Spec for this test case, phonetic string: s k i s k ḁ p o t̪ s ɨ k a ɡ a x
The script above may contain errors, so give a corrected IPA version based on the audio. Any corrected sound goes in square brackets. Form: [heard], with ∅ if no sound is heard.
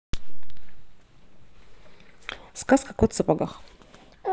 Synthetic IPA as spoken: s k [a] s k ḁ [k] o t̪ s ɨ [p] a ɡ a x